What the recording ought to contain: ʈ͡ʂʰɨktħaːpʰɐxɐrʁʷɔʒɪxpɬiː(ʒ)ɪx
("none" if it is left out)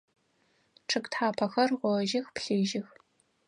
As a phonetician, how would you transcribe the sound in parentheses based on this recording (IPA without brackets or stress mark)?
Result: ʒ